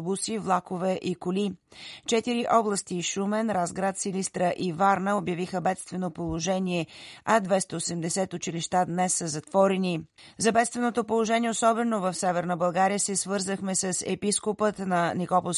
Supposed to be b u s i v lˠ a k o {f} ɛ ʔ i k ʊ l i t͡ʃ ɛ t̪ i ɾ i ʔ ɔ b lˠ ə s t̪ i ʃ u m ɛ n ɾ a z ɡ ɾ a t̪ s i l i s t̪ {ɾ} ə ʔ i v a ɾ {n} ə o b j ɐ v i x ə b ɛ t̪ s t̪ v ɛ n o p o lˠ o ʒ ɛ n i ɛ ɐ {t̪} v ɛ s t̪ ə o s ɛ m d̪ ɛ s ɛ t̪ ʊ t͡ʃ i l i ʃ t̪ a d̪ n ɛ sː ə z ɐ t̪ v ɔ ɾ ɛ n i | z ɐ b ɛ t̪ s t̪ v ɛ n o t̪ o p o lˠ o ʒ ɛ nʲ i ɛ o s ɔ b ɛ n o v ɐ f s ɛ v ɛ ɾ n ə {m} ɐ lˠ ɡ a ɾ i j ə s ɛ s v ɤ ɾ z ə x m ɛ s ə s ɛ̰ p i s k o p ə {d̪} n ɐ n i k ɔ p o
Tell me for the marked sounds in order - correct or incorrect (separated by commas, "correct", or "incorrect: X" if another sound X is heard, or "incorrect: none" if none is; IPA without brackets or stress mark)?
incorrect: v, correct, correct, incorrect: d̪, incorrect: b, incorrect: t̪